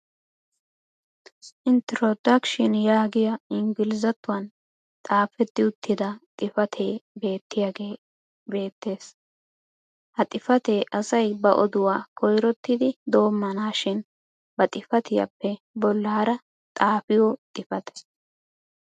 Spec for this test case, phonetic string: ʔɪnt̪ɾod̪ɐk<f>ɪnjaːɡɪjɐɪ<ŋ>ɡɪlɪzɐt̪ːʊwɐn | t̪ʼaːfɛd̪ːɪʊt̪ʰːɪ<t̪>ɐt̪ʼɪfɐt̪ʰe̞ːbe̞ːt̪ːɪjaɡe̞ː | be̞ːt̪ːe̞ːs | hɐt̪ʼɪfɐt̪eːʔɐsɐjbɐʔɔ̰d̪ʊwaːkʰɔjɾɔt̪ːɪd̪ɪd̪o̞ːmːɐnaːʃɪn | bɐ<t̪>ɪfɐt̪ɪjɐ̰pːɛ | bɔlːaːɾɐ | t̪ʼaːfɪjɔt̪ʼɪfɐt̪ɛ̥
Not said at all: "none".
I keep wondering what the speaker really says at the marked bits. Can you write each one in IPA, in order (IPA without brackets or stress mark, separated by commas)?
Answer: ʃ, ŋ, d̪, t̪ʼ